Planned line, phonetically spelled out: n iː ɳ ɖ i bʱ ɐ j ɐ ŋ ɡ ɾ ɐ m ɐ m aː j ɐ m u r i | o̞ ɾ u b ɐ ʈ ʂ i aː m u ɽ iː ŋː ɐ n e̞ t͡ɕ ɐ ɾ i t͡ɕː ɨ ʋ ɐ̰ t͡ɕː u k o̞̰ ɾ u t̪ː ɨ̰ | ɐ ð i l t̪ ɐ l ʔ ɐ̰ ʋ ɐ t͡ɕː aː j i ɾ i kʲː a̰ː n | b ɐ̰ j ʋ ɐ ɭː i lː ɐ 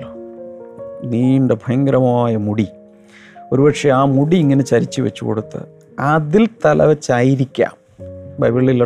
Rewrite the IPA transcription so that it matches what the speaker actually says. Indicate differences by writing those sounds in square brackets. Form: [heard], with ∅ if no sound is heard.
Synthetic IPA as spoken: n iː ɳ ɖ [e] bʱ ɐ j ɐ ŋ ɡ ɾ ɐ m ɐ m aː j ɐ m u [ɽ] i | o̞ ɾ u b ɐ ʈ ʂ [e] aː m u ɽ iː ŋː ɐ n e̞ t͡ɕ ɐ ɾ i t͡ɕː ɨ ʋ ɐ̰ t͡ɕː u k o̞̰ [ɽ] u t̪ː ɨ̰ | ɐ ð i l t̪ ɐ l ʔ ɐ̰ ʋ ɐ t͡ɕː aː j i ɾ i kʲː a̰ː [m] | b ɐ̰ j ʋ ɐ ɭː i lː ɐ